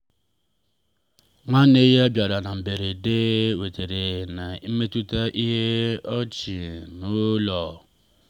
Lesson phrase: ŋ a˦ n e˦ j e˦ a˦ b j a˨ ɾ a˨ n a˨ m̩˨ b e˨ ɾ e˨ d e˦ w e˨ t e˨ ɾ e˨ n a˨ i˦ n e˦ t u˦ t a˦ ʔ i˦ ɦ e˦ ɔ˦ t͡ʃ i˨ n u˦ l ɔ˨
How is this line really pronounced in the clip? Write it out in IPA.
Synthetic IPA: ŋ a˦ n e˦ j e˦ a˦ b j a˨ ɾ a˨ n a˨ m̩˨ b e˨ ɾ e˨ d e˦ w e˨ t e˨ ɾ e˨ n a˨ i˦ m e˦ t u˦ t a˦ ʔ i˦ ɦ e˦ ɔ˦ t͡ʃ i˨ n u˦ l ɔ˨